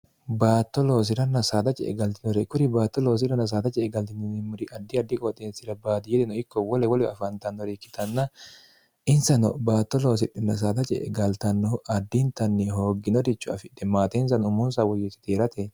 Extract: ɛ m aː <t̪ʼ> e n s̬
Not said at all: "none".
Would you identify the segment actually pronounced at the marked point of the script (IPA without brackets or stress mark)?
t̪